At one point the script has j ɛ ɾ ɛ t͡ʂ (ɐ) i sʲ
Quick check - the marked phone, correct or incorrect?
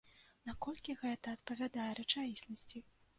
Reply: incorrect